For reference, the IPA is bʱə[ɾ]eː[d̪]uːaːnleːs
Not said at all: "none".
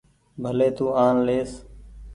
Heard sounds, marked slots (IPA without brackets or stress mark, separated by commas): l, t̪